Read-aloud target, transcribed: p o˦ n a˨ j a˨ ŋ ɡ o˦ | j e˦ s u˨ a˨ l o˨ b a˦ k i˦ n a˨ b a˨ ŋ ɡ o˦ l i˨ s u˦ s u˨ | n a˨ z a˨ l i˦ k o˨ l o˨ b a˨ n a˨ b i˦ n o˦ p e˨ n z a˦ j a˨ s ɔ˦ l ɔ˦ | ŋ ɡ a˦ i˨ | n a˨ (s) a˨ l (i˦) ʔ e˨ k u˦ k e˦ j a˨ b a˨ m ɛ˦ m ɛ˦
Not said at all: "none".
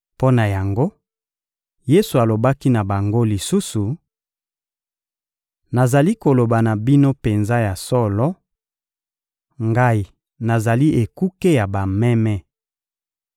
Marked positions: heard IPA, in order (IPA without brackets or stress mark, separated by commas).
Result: z, i˦